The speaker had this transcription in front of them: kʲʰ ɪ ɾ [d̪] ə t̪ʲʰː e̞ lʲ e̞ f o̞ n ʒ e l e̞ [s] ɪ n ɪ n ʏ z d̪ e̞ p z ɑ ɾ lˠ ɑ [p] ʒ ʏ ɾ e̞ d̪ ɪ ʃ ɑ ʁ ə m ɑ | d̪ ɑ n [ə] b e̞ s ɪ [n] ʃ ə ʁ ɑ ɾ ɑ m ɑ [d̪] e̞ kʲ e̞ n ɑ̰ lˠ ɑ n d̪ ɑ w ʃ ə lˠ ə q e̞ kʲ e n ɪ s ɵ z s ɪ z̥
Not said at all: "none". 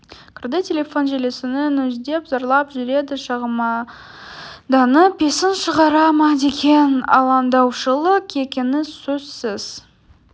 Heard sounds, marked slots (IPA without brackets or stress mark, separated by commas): d̪, s, p, ə, n, d̪